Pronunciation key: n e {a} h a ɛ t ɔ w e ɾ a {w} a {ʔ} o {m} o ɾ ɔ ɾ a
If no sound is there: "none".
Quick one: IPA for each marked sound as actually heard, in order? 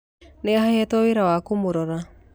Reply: a, w, k, m

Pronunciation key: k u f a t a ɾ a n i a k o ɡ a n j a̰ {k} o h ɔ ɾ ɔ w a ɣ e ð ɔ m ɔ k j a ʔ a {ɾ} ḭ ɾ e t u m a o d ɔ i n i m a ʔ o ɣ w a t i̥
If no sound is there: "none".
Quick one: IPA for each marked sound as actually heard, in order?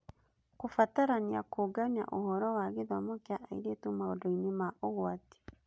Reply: ʔ, none

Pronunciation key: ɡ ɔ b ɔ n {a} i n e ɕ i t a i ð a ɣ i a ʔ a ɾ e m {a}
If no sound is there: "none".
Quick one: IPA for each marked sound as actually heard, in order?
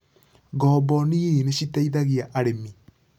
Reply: i, i

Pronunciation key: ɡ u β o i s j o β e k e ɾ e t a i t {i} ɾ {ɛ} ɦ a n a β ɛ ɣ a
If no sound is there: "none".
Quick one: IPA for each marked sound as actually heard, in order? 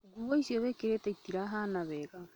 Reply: i, a

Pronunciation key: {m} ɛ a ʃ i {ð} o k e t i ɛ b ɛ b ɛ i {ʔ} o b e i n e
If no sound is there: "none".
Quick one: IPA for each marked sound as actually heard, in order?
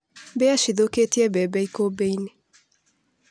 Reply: b, ð, k

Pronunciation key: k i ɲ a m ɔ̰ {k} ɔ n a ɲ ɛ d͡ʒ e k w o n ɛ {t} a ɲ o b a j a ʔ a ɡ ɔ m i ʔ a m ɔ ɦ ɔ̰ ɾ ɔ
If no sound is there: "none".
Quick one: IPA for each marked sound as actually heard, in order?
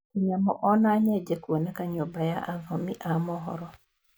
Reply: ʔ, k

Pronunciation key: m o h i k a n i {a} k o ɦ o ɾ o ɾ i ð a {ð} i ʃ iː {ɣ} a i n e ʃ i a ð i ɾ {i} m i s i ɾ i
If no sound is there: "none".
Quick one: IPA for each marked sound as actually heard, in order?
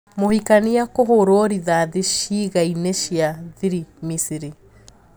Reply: a, ð, ɣ, i

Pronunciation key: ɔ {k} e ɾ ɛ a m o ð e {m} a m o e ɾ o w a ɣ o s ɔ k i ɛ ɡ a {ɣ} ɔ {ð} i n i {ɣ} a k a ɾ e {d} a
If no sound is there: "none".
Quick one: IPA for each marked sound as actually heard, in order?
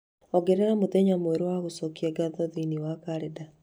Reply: ɡ, ɲ, ð, ð, w, d

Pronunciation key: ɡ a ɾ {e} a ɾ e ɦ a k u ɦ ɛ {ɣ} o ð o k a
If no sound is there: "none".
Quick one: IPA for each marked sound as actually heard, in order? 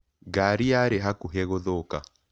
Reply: i, ɣ

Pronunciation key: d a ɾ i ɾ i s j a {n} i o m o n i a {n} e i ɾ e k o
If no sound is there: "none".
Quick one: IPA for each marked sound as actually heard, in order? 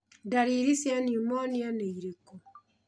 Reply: n, n

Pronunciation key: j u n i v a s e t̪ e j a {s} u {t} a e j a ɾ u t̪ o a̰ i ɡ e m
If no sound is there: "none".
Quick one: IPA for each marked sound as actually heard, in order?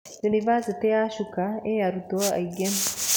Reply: ʃ, k

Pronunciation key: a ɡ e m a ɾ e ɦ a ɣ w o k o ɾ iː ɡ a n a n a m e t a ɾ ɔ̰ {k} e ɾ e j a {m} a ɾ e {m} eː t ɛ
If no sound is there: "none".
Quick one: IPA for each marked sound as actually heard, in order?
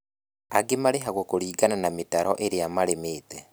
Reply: ʔ, m, m

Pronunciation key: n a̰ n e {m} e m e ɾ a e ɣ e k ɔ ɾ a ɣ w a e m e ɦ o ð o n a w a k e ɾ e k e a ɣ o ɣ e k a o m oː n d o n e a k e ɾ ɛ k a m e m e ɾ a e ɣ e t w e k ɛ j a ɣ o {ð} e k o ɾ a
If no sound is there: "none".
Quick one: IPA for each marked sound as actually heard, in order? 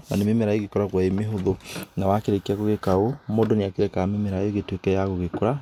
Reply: m, ɣ

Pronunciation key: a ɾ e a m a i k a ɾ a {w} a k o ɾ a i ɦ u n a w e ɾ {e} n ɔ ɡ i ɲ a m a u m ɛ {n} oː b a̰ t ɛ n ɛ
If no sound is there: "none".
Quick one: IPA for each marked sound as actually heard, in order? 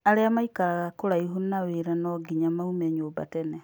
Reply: ɣ, a, ɲ

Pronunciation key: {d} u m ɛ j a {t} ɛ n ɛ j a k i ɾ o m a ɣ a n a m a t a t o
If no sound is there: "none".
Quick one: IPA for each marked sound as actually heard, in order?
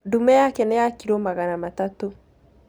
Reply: d, k

